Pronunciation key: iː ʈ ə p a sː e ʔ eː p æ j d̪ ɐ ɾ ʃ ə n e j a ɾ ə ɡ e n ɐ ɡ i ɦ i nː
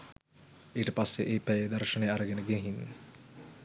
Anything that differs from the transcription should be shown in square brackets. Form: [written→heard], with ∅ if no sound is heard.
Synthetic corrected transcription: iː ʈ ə p a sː e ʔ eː p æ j d̪ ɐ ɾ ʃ ə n e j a ɾ ə ɡ e n [ɐ→ə] ɡ [i→e] ɦ i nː